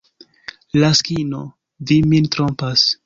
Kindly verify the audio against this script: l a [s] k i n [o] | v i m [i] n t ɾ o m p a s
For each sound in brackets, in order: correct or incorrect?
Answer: correct, correct, correct

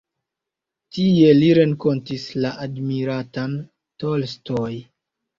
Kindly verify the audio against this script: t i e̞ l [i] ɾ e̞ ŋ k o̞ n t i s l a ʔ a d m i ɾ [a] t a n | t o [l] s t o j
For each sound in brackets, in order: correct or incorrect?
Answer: correct, correct, correct

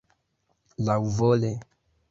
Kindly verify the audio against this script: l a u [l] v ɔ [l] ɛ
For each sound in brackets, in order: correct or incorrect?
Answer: incorrect: none, correct

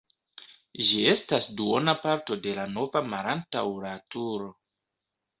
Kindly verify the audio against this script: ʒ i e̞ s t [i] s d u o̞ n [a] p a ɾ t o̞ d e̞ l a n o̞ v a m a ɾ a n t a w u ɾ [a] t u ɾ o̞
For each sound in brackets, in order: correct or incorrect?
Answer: incorrect: a, correct, correct

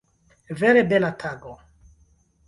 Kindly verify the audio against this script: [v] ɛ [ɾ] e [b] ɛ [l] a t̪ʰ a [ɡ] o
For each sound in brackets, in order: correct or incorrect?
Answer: correct, correct, correct, correct, correct

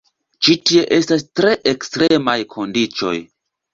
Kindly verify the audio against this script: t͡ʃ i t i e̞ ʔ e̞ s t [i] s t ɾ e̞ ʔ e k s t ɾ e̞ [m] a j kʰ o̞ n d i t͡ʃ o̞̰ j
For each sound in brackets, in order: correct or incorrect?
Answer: incorrect: a, correct

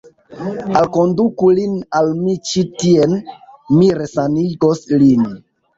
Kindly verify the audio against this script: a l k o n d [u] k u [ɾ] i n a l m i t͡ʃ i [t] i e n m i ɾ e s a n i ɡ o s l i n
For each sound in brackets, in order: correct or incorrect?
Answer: correct, incorrect: l, correct

